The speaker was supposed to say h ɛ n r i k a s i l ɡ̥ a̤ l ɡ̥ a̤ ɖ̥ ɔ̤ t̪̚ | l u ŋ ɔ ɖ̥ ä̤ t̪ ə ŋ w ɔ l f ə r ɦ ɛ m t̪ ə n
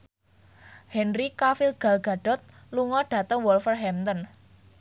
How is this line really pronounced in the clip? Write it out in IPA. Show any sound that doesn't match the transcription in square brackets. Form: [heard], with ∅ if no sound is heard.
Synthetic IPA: h ɛ n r i k a [f] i l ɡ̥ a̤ l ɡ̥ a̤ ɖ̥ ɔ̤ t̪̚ | l u ŋ ɔ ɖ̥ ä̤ t̪ ə ŋ w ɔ l f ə r ɦ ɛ m t̪ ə n